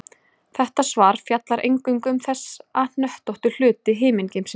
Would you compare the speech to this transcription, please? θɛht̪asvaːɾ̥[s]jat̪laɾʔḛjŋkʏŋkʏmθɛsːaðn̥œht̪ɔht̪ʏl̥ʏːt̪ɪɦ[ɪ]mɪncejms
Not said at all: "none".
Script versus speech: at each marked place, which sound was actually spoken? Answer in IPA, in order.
f, ɪː

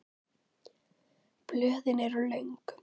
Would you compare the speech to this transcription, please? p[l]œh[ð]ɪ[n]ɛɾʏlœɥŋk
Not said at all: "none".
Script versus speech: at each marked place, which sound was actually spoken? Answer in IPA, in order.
l, ð, n

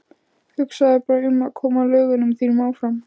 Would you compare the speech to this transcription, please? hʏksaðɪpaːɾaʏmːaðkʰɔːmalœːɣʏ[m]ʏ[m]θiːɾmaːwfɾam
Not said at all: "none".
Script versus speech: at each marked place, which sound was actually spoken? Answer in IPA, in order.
n, m

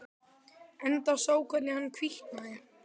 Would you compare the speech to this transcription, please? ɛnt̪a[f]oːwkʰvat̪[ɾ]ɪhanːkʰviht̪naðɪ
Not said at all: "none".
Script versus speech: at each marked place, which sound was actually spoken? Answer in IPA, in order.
s, l

